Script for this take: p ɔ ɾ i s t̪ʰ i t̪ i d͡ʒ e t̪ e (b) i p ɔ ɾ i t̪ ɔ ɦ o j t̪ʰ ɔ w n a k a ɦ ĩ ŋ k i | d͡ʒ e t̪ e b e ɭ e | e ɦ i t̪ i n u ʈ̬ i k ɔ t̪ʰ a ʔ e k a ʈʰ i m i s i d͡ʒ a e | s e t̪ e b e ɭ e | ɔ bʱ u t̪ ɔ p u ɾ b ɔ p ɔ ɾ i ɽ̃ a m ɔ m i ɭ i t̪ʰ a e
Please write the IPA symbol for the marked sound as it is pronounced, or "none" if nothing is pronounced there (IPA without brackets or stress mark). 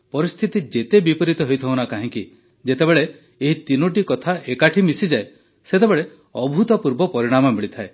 b